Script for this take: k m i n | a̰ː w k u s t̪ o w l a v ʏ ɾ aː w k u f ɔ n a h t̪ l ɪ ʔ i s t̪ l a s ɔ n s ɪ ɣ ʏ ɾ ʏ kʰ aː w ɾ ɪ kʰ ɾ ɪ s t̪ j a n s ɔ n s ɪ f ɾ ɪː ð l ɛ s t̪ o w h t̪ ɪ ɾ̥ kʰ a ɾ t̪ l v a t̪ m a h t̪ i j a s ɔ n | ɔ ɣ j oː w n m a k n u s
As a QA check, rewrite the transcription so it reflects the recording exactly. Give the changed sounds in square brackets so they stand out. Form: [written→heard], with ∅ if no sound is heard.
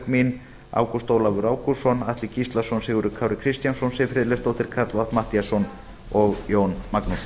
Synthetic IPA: k m i n | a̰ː w k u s t̪ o w l a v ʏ ɾ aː w k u [f→s] ɔ n a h t̪ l ɪ [ʔ→c] i s t̪ l a s ɔ n s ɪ ɣ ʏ ɾ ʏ kʰ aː w ɾ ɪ kʰ ɾ ɪ s t̪ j a n s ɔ n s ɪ f ɾ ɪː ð l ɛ s t̪ o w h t̪ ɪ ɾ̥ kʰ a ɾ t̪ l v a t̪ m a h t̪ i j a s ɔ n | ɔ ɣ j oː w n m a k n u s